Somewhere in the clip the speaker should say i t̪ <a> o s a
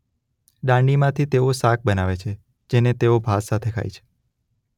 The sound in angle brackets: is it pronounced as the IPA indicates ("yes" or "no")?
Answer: no